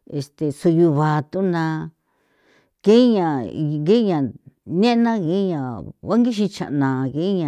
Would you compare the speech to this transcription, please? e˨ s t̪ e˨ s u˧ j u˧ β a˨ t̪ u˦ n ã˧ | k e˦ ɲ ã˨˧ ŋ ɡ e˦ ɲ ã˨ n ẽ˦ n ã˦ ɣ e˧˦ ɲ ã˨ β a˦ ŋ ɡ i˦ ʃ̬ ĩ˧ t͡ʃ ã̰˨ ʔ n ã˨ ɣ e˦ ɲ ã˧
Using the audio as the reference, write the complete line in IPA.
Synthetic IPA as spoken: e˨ s t̪ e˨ s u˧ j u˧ β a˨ t̪ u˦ n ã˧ | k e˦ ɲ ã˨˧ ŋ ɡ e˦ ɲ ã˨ n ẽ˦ n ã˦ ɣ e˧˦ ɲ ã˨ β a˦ ŋ ɡ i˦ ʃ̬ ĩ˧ t͡ʃ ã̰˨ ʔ n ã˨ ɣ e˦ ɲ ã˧